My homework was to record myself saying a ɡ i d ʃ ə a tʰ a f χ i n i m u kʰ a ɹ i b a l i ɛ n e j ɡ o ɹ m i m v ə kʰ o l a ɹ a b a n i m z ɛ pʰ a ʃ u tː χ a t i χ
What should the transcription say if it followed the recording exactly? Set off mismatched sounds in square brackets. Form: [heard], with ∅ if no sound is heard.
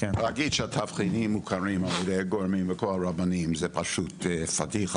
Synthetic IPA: a ɡ i d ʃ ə a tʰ a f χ i n i m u kʰ a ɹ i [m] a l [j] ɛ [d] e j ɡ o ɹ m i m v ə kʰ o l a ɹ a b a n i m z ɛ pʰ a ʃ u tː [f] a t i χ

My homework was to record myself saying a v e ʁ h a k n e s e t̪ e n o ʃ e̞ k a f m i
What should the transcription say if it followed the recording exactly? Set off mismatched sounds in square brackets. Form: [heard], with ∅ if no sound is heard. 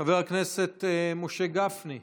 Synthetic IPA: a v e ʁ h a k n e s e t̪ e [m] o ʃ e̞ [ɡ] a f [n] i

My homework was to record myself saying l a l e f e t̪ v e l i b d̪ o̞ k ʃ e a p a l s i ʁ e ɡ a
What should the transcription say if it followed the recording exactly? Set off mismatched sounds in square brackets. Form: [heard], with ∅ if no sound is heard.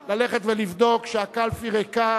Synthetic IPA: l a l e [χ] e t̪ v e l i [v] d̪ o̞ k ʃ e a [k] a l [f] i ʁ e [k] a

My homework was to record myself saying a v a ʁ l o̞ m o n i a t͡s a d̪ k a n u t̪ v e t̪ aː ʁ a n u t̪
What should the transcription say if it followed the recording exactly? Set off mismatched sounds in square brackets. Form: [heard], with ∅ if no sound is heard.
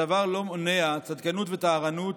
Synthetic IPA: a v a ʁ l o̞ m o n [e] a t͡s a d̪ k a n u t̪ v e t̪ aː ʁ a n u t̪

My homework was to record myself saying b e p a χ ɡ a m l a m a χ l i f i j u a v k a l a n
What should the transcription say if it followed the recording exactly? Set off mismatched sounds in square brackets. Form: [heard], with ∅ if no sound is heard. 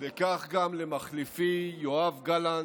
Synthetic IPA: [v] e [k] a χ ɡ a m l [e] m a χ l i f i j [o] a v [ɡ] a l a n

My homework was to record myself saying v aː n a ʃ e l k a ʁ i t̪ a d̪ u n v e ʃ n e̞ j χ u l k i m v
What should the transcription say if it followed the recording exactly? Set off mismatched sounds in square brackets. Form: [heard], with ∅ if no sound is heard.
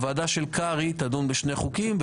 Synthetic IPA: v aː [d] a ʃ e l k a ʁ i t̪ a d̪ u n [b] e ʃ n e̞ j χ u [∅] k i m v

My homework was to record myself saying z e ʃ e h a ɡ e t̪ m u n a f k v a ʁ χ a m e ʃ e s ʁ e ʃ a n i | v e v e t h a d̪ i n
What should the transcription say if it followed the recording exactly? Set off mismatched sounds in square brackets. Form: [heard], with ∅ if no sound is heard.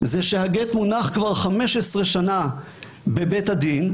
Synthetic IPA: z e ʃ e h a ɡ e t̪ m u n a [χ] k v a ʁ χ a m e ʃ e s ʁ e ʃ a n [a] | [b] e [b] e t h a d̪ i n

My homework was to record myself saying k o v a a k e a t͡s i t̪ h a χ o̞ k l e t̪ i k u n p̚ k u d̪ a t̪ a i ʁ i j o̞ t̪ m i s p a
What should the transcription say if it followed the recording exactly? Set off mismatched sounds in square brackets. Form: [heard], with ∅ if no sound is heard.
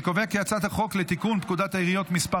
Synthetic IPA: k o v [e] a k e a t͡s [a] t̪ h a χ o̞ k l e t̪ i k u n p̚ k u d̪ a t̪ a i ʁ i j o̞ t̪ m i s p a

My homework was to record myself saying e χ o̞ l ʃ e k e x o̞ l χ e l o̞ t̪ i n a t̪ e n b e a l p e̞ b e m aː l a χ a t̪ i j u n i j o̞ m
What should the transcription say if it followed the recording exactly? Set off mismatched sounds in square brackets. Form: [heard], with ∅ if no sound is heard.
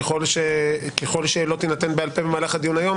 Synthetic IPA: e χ o̞ l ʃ e k e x o̞ l [ʃ] e l o̞ t̪ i n a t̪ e n b e a l p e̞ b e m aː l a χ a [d̪] i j u n [a] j o̞ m

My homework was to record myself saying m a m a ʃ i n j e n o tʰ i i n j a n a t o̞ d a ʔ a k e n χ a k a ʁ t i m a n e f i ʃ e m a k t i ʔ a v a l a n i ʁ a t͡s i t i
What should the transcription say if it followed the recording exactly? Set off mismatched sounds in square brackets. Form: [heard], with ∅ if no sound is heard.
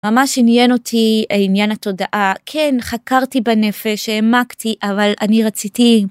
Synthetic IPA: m a m a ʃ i n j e n o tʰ i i n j a n a t o̞ d a ʔ a [kʰ] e n χ a k a ʁ t i [b] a n e f [e] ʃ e m a k t i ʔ a v a l a n i ʁ a t͡s i t i

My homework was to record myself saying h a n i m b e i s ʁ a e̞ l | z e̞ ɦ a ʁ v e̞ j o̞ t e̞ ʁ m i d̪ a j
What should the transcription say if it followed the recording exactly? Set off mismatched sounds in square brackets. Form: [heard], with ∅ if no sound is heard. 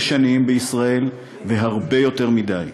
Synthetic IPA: [ʃ] a n i m b e i s ʁ a e̞ l | [v] e̞ ɦ a ʁ [b] e̞ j o̞ t e̞ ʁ m i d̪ a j

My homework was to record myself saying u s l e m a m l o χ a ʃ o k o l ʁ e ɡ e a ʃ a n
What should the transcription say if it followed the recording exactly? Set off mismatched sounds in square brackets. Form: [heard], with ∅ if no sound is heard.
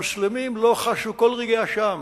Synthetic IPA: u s l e m [i] m l o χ a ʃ [u] k o l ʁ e ɡ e a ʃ a [m]

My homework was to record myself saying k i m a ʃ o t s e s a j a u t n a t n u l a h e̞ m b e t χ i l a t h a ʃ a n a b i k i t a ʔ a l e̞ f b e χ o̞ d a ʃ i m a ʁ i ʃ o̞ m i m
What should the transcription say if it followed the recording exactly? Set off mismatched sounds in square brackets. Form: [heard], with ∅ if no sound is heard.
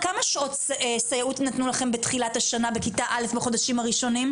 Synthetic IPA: k [a] m a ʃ o t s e s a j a u t n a t n u l a [χ] e̞ m b e t χ i l a t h a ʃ a n a b [e] k i t a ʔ a l e̞ f b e χ o̞ d a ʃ i m a ʁ i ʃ o̞ [n] i m

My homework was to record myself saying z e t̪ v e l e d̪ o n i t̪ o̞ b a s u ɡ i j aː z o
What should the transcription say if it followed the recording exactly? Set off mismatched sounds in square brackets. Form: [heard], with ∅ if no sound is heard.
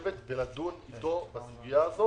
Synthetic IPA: [v] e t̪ [b] e l [a] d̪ [u] n i t̪ o̞ b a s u ɡ i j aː z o

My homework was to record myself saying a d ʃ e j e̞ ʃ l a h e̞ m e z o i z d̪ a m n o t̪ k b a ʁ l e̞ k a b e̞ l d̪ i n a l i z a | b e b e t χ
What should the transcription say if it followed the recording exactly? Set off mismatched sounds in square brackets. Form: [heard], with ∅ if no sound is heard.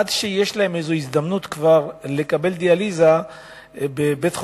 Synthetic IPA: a d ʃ e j e̞ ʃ l a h e̞ m e z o i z d̪ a m n [u] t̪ k [v] a ʁ l e̞ k a b e̞ l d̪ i [∅] a l i z a | b e b e t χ

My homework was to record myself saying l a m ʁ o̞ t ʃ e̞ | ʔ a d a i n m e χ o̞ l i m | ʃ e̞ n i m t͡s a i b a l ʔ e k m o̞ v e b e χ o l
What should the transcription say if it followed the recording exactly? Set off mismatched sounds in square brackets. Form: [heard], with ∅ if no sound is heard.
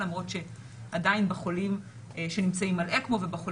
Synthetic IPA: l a m ʁ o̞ t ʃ e̞ | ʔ a d a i n [b] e χ o̞ l i m | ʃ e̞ n i m t͡s a i [m] a l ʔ e k m o̞ v e b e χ o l

